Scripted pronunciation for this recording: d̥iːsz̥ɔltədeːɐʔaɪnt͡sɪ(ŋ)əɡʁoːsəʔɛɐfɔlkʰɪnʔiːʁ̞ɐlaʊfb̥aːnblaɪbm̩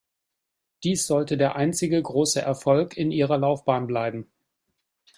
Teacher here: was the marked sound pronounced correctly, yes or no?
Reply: no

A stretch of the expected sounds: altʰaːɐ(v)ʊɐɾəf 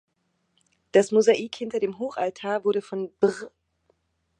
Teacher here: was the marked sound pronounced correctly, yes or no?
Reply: yes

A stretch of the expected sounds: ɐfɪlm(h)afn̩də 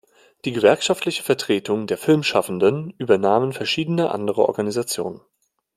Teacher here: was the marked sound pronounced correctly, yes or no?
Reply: no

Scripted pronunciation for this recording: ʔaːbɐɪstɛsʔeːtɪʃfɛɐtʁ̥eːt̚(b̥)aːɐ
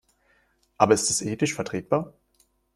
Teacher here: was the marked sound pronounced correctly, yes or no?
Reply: yes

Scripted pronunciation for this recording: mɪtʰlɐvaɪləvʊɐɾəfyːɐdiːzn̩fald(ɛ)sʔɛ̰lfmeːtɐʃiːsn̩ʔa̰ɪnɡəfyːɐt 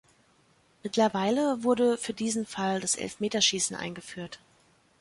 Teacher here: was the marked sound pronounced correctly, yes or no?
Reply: no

